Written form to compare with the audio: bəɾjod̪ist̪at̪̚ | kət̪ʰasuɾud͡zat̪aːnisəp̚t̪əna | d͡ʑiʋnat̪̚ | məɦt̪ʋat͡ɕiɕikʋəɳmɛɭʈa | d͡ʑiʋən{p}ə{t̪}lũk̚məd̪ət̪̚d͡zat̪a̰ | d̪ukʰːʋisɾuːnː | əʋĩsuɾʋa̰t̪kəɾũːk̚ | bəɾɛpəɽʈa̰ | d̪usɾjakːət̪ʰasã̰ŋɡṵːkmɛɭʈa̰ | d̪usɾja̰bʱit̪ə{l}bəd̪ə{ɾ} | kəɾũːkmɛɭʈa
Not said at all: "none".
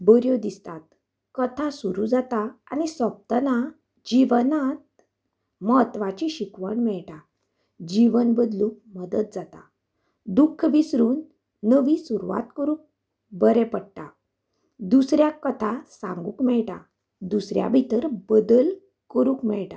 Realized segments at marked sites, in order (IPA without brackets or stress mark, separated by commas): b, d̪, ɾ, l